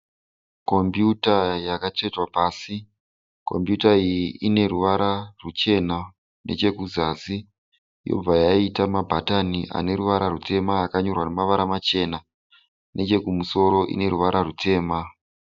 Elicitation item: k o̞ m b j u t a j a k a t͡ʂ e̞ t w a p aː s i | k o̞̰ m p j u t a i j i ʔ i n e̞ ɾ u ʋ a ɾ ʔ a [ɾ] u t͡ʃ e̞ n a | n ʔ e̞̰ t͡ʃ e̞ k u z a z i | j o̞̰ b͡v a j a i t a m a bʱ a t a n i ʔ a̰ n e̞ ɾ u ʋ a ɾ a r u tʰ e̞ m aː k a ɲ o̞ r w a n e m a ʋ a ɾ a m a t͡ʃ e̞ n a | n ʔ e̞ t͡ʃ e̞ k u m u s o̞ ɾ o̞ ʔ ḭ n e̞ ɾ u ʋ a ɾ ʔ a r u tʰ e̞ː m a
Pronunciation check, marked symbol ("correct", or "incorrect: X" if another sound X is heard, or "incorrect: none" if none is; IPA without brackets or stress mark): incorrect: r